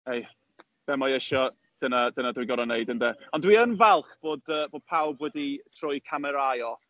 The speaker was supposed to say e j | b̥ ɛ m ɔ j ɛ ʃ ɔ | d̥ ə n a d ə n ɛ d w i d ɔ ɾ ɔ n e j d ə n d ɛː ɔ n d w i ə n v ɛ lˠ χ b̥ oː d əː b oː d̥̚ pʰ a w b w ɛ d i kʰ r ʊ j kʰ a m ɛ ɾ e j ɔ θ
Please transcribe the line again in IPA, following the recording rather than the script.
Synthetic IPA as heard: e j | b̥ ɛ m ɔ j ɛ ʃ ɔ | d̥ ə n a d ə n a d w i ɡ ɔ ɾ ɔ n e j d ə n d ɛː ɔ n d w i ə n v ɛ lˠ χ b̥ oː d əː b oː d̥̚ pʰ a w b w ɛ d i tʰ r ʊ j kʰ a m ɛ ɾ a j ɔ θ